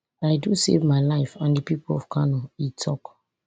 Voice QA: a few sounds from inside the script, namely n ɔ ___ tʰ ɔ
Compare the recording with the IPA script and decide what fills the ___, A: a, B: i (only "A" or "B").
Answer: B